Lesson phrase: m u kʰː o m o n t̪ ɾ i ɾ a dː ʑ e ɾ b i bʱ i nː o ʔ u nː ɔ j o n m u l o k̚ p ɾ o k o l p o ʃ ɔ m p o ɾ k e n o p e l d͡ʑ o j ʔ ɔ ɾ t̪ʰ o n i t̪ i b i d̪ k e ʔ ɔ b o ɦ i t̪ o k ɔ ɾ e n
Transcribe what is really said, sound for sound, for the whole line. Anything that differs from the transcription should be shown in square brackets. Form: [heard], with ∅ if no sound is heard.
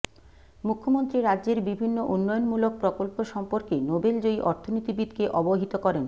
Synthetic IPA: m u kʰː o m o n t̪ ɾ i ɾ a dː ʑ e ɾ b i bʱ i nː o ʔ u nː ɔ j o n m u l o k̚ p ɾ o k o l p o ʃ ɔ m p o ɾ k e n o [b] e l d͡ʑ o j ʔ ɔ ɾ t̪ʰ o n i t̪ i b i d̪ k e ʔ ɔ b o ɦ i t̪ o k ɔ ɾ e n

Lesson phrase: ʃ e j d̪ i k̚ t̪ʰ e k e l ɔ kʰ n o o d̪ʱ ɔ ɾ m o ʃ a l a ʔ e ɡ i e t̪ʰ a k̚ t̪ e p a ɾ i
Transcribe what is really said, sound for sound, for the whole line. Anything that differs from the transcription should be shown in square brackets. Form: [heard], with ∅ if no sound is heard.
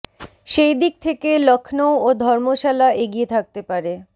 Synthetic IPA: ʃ e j d̪ i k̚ t̪ʰ e k e l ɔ kʰ n o o d̪ʱ ɔ ɾ m o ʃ a l a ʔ e ɡ i e t̪ʰ a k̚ t̪ e p a ɾ [e]

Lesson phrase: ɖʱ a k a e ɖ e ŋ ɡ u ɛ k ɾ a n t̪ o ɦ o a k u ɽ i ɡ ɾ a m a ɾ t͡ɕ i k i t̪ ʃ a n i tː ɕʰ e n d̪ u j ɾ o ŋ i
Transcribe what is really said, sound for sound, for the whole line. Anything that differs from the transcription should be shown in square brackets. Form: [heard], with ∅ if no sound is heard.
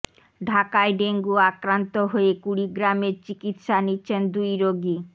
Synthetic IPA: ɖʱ a k a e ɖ e ŋ ɡ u [a] k ɾ a n t̪ o ɦ o [e] k u ɽ i ɡ ɾ a m [e] ɾ t͡ɕ i k i t̪ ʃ a n i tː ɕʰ e n d̪ u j ɾ o [ɡ] i

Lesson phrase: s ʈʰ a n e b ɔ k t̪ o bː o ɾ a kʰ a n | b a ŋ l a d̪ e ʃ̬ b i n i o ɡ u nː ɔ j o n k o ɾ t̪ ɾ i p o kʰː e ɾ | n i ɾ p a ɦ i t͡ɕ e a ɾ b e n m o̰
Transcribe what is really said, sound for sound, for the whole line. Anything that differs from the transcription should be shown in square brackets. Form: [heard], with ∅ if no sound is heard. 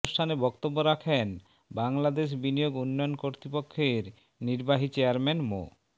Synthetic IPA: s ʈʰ a n e b ɔ k t̪ o bː o ɾ a kʰ [e] n | b a ŋ l a d̪ e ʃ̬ b i n i o ɡ u nː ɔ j o n k o ɾ t̪ ɾ i p o kʰː e ɾ | n i ɾ [b] a ɦ i t͡ɕ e a ɾ [m] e n m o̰

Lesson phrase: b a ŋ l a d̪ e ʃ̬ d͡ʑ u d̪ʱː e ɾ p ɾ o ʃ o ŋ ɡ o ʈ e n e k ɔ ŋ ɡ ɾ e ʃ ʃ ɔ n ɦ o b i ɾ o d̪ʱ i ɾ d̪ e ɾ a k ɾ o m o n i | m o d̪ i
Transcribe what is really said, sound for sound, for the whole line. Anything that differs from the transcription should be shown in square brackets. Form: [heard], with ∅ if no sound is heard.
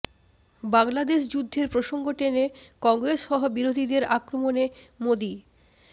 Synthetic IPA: b a ŋ l a d̪ e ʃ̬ d͡ʑ u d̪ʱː e ɾ p ɾ o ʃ o ŋ ɡ o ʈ e n e k ɔ ŋ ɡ ɾ e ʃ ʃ ɔ [∅] ɦ o b i ɾ o d̪ʱ i [∅] d̪ e ɾ a k ɾ o m o n [e] | m o d̪ i

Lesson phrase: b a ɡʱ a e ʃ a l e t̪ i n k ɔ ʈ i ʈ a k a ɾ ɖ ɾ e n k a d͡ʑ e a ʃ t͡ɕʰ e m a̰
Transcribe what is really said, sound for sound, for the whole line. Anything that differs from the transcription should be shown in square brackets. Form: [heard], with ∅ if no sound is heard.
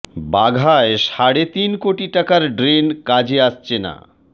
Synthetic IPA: b a ɡʱ a e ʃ a [ɽ] e t̪ i n k [o] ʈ i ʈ a k a ɾ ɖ ɾ e n k a d͡ʑ e a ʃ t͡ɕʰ e [n] a̰

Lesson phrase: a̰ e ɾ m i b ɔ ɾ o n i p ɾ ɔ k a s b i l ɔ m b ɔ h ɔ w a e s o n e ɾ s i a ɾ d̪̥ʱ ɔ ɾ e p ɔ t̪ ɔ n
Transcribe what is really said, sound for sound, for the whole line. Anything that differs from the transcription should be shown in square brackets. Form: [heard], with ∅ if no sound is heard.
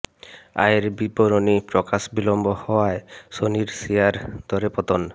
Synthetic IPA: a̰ e ɾ [b] i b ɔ ɾ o n i p ɾ ɔ k a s b i l ɔ m b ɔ h ɔ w a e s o n [i] ɾ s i a ɾ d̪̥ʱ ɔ ɾ e p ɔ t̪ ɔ n

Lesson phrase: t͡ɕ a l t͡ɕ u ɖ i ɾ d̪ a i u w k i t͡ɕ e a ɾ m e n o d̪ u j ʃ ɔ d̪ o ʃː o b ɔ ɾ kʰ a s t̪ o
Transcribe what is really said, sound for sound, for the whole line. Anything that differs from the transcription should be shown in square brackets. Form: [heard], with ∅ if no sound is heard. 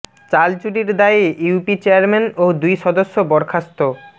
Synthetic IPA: t͡ɕ a l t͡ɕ u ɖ i ɾ d̪ a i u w [p] i t͡ɕ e a ɾ m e n o d̪ u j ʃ ɔ d̪ o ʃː o b ɔ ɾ kʰ a s t̪ o

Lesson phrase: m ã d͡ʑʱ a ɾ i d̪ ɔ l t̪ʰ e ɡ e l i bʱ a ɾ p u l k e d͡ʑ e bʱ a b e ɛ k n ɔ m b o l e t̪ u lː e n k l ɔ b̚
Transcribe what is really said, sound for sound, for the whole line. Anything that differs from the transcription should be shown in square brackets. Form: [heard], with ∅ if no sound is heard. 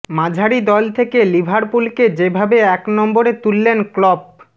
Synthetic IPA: m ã d͡ʑʱ a ɾ i d̪ ɔ l t̪ʰ e [k] e l i bʱ a ɾ p u l k e d͡ʑ e bʱ a b e ɛ k n ɔ m b o [ɾ] e t̪ u lː e n k l ɔ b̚

